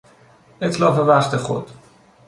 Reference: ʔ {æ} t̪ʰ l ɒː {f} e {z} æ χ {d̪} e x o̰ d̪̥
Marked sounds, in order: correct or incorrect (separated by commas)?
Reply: incorrect, correct, incorrect, incorrect